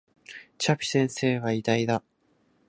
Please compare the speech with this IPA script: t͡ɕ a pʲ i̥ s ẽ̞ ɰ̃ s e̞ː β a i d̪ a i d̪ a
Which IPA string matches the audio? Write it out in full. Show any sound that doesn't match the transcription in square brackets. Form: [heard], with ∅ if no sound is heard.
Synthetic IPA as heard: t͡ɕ a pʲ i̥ s ẽ̞ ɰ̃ s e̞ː β a i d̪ a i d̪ a